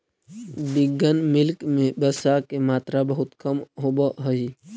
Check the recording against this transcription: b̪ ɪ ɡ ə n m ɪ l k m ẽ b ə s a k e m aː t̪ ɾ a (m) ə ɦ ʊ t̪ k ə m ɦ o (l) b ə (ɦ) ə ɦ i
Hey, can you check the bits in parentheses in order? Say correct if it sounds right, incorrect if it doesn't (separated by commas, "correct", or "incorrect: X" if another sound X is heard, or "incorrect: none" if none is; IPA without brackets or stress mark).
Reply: incorrect: b, incorrect: none, correct